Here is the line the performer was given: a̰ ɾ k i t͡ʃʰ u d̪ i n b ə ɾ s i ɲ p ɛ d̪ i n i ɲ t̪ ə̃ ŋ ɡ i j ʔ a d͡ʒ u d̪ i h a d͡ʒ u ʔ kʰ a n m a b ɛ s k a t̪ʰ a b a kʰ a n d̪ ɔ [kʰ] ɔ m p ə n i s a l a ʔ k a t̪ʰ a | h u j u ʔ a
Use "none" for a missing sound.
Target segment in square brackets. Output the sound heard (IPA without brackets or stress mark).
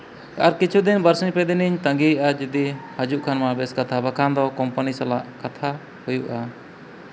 k